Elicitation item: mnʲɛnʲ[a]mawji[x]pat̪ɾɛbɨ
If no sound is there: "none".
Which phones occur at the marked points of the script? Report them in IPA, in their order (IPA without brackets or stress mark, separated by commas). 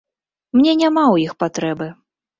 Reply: a, x